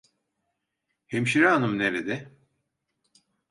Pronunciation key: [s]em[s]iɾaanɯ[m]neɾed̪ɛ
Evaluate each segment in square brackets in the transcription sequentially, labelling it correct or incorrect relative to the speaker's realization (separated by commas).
incorrect, incorrect, correct